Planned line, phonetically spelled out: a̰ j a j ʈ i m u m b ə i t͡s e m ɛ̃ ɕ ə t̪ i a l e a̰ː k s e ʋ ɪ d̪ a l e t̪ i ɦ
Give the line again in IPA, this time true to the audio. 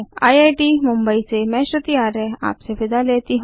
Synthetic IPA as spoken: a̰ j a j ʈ i m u m b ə i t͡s e m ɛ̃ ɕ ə t̪ i a ɾ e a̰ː p s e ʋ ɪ d̪ a l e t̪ i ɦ

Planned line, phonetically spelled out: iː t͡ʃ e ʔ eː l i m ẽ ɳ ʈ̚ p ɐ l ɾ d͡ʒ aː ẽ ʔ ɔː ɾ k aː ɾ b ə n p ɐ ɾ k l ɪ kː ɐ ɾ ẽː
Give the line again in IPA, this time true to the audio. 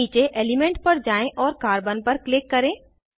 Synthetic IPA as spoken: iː t͡ʃ e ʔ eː l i m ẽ ɳ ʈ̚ p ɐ ɾ d͡ʒ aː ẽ ʔ ɔː ɾ k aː ɾ b ə n p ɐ ɾ k l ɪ kː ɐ ɾ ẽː

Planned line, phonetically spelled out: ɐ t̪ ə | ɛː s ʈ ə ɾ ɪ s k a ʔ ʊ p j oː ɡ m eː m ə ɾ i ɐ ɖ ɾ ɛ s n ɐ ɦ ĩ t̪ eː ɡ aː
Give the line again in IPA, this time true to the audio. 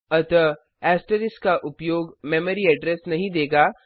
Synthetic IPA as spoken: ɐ t̪ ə | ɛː s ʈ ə ɾ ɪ s k a ʔ ʊ p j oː ɡ m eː m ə ɾ i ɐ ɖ ɾ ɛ s n ɐ ɦ ĩ d̪ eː ɡ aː

